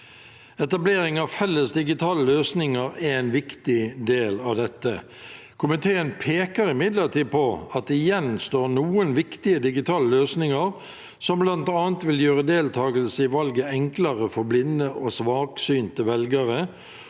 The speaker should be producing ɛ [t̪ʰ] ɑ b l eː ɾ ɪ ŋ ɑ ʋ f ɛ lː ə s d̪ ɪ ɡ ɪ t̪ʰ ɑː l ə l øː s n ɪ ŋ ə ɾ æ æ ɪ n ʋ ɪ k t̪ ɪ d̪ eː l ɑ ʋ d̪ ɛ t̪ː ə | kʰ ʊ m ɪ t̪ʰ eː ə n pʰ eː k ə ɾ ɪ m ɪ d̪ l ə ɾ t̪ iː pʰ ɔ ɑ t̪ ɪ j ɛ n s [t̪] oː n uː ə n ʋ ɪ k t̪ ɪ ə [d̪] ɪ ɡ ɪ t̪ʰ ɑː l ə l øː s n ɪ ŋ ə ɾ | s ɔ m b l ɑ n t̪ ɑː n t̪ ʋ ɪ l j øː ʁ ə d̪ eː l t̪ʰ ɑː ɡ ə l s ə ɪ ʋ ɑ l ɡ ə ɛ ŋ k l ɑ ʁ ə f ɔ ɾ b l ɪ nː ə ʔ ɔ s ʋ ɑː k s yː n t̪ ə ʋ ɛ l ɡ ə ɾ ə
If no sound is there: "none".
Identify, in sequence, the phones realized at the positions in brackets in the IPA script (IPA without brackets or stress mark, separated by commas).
t̪, t̪, d̪